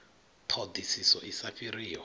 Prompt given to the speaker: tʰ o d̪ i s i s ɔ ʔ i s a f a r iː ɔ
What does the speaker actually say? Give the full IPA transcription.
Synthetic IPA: tʰ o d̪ i s i s ɔ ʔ i s a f i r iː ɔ